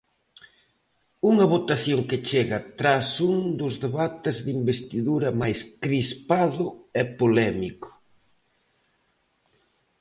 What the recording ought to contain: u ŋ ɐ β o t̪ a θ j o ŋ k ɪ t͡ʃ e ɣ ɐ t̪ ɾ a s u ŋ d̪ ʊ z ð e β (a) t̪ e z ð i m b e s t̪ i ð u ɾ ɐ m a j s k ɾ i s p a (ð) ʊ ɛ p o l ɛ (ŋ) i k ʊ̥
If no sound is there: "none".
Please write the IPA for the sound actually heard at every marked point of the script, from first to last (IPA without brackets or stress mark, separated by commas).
a, ð, m